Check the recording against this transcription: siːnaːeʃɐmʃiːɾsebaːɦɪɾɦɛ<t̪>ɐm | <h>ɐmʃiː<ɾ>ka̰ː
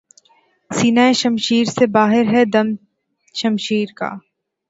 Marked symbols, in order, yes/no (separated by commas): no, no, yes